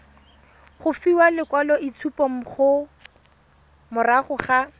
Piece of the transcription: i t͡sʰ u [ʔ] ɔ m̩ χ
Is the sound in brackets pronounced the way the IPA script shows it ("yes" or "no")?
no